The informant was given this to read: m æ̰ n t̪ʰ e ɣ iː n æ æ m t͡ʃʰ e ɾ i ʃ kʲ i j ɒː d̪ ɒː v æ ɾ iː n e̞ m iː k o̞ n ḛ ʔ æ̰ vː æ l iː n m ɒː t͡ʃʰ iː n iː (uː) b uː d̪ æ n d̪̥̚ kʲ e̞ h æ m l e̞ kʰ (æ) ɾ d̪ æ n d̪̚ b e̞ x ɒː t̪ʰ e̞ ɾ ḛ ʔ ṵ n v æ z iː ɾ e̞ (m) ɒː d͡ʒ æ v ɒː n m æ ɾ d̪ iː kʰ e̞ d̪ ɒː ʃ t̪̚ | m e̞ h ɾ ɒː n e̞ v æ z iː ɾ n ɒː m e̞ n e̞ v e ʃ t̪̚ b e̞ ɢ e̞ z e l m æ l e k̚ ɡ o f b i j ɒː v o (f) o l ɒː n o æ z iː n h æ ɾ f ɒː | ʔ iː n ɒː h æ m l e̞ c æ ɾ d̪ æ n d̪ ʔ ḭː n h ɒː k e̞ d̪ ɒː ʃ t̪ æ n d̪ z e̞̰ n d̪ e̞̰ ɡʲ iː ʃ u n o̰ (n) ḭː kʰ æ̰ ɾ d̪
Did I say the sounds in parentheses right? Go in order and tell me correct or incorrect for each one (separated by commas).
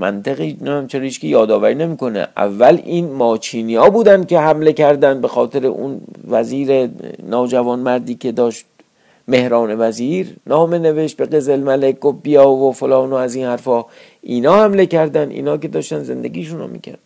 incorrect, correct, incorrect, correct, incorrect